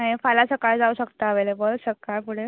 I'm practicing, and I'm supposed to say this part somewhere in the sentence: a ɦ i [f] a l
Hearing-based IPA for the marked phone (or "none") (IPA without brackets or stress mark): f